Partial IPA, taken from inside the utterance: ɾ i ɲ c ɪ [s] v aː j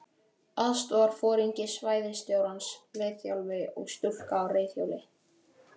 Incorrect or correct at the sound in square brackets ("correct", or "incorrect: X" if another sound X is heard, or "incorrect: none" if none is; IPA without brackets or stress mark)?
correct